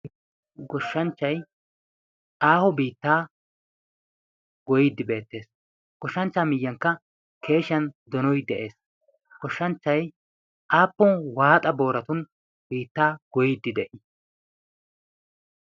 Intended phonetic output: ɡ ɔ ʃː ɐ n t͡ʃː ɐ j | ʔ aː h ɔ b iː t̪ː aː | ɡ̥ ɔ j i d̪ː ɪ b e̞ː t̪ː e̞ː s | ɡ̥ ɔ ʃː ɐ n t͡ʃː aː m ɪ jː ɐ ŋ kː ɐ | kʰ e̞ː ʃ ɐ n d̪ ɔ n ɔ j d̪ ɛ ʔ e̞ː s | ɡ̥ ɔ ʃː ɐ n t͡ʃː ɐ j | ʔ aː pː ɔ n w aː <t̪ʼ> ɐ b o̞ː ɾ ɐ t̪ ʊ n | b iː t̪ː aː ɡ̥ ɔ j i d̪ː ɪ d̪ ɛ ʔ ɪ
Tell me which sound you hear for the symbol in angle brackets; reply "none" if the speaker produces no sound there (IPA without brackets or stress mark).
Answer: t̪ʼ